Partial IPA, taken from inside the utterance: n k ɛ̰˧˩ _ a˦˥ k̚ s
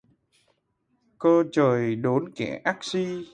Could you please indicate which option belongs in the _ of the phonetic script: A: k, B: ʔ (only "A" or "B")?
B